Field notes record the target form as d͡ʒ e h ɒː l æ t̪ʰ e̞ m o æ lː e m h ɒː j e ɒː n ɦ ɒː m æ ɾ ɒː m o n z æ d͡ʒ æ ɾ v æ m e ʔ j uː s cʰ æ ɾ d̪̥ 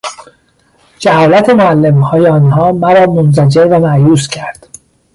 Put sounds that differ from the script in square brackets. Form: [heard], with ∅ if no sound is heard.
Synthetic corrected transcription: d͡ʒ [æ] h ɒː l æ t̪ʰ e̞ m o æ lː e m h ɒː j e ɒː n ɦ ɒː m æ ɾ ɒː m o n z æ d͡ʒ [e] ɾ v æ m [æ] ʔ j uː s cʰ æ ɾ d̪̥